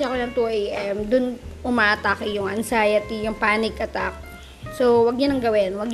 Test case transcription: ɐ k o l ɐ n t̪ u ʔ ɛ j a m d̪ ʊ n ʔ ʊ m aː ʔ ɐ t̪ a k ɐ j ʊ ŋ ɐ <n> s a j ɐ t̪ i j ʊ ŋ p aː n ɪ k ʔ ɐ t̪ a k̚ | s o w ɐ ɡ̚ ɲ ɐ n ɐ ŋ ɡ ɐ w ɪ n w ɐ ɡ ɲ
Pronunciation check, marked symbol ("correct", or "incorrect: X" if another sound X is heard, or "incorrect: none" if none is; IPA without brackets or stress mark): correct